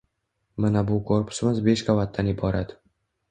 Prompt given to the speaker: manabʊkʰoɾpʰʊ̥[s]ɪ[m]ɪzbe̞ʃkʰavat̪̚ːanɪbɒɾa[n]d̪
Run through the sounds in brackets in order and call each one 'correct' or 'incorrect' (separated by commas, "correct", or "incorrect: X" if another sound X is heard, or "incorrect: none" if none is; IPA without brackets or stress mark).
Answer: correct, correct, incorrect: none